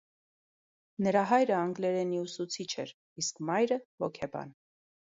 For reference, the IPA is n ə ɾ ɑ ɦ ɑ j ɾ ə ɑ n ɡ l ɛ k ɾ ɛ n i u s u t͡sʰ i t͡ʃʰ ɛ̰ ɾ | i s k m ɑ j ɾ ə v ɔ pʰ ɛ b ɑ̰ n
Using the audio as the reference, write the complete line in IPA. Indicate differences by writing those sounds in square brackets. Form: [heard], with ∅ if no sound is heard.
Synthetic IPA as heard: n ə ɾ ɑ ɦ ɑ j ɾ ə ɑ [ŋ] ɡ l ɛ [∅] ɾ ɛ n i u s u t͡sʰ i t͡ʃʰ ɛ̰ ɾ | i s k m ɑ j ɾ ə v ɔ [kʰ] ɛ b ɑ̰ n